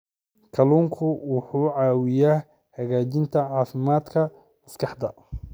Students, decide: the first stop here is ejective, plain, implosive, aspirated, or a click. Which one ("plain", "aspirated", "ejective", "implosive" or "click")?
aspirated